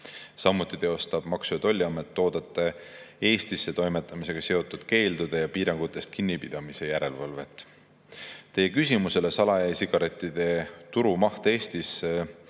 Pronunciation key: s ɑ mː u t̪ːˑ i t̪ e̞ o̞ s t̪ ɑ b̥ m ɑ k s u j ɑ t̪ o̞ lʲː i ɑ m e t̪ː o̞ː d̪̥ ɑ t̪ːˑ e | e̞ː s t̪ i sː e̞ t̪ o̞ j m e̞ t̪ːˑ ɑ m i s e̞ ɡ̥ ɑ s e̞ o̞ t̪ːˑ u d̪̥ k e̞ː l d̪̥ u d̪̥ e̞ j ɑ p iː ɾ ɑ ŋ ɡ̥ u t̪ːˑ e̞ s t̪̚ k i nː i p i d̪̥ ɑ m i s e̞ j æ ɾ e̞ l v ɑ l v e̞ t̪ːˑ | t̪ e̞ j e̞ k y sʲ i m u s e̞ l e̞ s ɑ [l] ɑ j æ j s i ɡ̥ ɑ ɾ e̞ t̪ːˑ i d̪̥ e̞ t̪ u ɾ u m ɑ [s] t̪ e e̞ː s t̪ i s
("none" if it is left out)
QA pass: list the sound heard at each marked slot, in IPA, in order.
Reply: l, h

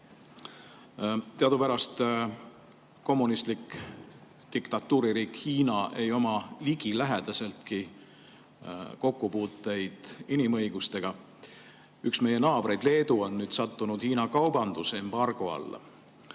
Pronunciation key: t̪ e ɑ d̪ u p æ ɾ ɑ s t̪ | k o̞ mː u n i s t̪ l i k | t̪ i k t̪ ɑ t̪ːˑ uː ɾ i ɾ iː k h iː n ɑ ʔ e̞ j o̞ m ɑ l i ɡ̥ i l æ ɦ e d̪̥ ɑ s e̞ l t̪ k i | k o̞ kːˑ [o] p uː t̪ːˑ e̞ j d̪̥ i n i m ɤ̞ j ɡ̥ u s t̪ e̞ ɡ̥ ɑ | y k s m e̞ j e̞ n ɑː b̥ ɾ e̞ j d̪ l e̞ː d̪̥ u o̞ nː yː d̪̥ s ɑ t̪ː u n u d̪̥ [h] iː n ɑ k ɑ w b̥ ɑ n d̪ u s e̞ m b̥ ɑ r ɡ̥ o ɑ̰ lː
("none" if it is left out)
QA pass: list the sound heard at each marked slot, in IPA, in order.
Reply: u, h

